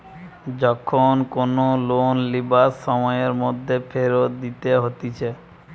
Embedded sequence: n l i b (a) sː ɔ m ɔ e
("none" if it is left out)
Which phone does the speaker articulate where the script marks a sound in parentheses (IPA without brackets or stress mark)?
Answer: a